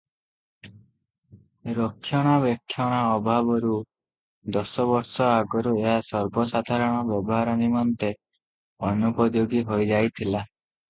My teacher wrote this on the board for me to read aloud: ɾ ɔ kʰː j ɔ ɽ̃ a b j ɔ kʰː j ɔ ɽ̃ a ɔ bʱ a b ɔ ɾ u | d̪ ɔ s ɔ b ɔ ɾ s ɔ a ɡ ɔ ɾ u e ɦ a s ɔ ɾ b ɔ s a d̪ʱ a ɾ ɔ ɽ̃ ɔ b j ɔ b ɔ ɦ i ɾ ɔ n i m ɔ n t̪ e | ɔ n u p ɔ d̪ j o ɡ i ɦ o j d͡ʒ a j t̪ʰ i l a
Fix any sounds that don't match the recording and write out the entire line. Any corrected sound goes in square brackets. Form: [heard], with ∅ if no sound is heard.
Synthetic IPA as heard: ɾ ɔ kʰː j ɔ ɽ̃ a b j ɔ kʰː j ɔ ɽ̃ a ɔ bʱ a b ɔ ɾ u | d̪ ɔ s ɔ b ɔ ɾ s ɔ a ɡ ɔ ɾ u e ɦ a s ɔ ɾ b ɔ s a d̪ʱ a ɾ ɔ ɽ̃ ɔ b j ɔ b ɔ ɦ [a] ɾ ɔ n i m ɔ n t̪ e | ɔ n u p ɔ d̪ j o ɡ i ɦ o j d͡ʒ a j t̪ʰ i l a